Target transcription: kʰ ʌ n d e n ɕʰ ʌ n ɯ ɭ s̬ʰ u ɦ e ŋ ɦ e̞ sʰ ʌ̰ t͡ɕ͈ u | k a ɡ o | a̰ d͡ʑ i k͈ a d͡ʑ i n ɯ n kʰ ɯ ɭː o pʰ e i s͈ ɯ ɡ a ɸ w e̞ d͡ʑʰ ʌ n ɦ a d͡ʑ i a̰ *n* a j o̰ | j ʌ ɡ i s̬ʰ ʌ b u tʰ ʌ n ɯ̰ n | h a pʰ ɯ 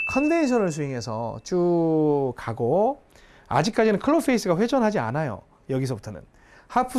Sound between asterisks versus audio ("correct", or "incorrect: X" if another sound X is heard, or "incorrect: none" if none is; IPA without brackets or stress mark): correct